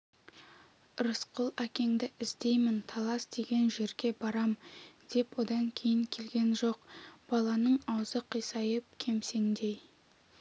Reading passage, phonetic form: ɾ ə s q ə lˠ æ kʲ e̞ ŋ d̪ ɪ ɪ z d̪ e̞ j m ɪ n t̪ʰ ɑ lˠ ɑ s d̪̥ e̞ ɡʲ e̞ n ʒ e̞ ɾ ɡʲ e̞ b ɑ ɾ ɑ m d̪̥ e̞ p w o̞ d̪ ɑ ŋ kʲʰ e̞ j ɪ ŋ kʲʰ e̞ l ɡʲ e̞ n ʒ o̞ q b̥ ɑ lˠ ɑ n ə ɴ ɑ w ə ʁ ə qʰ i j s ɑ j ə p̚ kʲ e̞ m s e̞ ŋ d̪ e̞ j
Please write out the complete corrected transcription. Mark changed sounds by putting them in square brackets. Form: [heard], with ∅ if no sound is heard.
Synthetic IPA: ɾ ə s q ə lˠ æ kʲ e̞ ŋ d̪ ɪ ɪ z d̪ e̞ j m ɪ n t̪ʰ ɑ lˠ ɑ s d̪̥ e̞ ɡʲ e̞ n ʒ e̞ ɾ ɡʲ e̞ b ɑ ɾ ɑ m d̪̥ e̞ p w o̞ d̪ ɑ ŋ kʲʰ e̞ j ɪ ŋ kʲʰ e̞ l ɡʲ e̞ n ʒ o̞ q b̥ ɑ lˠ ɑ n ə ɴ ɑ w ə [z] ə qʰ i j s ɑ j ə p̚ [kʲʰ] e̞ m s e̞ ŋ d̪ e̞ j